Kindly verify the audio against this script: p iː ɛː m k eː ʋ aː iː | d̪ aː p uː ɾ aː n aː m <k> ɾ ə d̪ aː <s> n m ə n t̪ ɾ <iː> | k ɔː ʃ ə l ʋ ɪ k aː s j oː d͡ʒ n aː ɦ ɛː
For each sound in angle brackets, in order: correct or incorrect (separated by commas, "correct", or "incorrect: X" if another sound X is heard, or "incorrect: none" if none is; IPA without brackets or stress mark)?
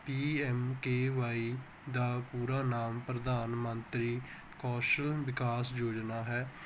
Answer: incorrect: p, incorrect: none, correct